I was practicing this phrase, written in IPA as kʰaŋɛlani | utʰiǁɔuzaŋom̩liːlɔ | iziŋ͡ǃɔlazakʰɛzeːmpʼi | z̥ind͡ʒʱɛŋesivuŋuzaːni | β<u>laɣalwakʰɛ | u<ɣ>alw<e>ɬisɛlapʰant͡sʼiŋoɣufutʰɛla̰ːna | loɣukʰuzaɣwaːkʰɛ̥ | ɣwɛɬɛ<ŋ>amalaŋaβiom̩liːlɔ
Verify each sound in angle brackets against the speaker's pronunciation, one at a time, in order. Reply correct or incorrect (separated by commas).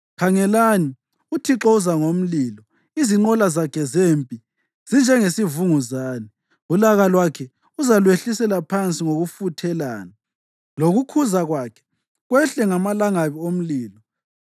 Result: correct, incorrect, correct, correct